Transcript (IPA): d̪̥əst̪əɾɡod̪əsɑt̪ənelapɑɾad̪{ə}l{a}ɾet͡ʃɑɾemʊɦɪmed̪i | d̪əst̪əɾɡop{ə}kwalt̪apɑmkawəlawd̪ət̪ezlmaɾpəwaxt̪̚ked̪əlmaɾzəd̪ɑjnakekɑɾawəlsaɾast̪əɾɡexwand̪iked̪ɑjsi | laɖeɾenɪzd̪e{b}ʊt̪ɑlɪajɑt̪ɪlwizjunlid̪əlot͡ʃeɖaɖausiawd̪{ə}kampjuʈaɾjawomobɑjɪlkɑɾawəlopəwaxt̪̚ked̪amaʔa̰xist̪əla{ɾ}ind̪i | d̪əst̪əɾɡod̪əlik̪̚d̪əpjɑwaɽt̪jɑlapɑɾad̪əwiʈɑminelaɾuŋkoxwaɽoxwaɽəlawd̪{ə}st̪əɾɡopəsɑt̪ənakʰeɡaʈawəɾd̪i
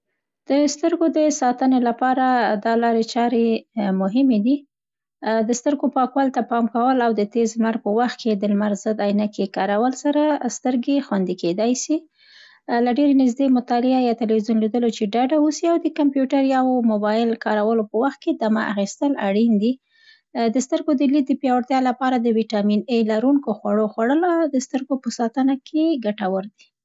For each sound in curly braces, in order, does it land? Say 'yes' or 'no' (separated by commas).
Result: no, no, no, no, yes, no, yes